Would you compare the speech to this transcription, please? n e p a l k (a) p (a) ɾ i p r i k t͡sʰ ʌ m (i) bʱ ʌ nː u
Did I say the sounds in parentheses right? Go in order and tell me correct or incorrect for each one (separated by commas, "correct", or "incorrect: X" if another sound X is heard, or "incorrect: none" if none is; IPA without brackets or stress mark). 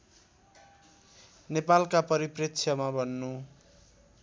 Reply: correct, incorrect: ʌ, incorrect: a